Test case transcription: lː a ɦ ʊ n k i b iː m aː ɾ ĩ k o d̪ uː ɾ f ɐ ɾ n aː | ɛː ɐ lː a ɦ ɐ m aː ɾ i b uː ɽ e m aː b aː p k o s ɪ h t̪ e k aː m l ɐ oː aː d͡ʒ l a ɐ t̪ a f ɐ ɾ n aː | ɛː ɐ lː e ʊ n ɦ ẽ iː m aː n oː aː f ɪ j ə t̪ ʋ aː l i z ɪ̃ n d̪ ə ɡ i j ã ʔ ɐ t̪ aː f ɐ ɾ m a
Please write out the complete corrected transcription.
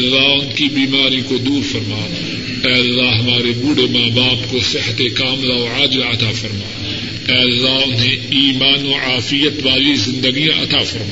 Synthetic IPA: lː a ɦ ʊ n k i b iː m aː ɾ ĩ k o d̪ uː ɾ f ɐ ɾ m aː | ɛː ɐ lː a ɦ ɐ m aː ɾ e b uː ɽ e m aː b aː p k o s ɪ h t̪ e k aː m l a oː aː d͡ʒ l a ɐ t̪ a f ɐ ɾ m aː | ɛː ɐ lː a ʊ n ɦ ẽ iː m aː n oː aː f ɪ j ə t̪ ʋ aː l i z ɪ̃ n d̪ ə ɡ i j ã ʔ ɐ t̪ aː f ɐ ɾ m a